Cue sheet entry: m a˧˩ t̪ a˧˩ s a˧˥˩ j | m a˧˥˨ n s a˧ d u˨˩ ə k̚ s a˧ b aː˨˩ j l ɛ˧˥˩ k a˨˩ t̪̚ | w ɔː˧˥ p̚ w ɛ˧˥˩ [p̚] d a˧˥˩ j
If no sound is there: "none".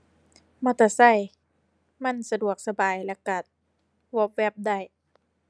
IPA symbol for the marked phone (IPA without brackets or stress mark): p̚